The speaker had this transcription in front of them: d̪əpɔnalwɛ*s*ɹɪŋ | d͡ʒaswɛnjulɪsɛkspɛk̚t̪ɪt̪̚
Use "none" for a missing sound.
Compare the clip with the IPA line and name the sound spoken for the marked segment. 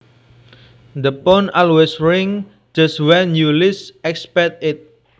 s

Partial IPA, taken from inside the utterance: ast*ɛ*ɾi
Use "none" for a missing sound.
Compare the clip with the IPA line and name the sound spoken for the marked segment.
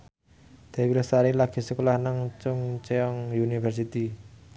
a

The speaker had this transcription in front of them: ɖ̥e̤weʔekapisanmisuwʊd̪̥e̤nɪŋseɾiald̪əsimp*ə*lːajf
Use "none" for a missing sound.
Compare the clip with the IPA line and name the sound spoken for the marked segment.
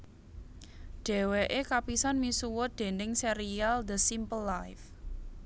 ə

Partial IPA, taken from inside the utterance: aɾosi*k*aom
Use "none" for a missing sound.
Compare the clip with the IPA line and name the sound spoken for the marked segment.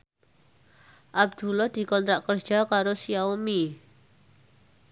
none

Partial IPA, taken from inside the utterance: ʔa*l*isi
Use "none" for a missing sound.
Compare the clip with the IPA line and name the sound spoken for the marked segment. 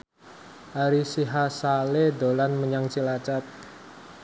ɾ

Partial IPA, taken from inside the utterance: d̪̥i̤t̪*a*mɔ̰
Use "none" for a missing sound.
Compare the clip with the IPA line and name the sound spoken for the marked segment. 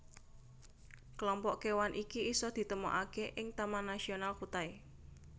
ə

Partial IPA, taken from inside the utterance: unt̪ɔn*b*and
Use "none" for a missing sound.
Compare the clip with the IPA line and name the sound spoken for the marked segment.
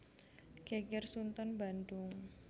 b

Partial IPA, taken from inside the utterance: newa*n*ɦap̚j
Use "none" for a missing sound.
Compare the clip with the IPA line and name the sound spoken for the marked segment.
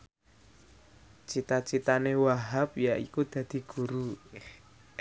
none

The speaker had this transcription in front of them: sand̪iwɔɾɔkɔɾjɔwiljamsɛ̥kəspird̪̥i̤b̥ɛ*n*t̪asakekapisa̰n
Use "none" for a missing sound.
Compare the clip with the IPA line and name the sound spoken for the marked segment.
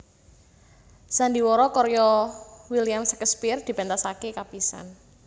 n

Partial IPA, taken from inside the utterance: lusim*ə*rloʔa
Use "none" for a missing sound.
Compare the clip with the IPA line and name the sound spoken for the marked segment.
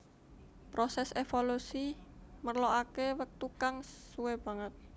ə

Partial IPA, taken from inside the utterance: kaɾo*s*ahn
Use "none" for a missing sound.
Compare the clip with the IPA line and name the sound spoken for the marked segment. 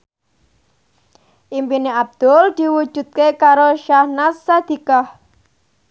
ʃ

